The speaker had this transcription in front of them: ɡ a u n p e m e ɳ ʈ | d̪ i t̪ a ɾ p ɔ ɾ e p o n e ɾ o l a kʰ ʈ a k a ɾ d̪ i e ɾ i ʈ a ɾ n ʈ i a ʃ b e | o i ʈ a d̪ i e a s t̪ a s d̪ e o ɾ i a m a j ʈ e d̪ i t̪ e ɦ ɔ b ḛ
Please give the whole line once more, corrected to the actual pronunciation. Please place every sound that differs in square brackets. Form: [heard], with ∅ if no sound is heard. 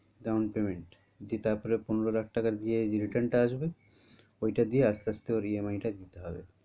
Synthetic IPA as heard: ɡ a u n p e m e ɳ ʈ | d̪ i t̪ a ɾ p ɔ ɾ e p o n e ɾ o l a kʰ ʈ a k a ɾ d̪ i e ɾ i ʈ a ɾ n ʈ [a] a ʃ b e | o [j] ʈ a d̪ i e a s t̪ a s [t̪] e o ɾ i [e] m a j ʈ [a] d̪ i t̪ e ɦ ɔ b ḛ